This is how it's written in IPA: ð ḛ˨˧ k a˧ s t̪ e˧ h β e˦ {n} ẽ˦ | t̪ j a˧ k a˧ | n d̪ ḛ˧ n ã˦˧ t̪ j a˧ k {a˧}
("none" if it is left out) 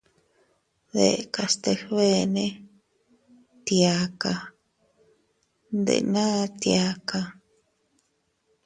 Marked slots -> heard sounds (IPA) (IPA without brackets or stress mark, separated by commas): n, a˧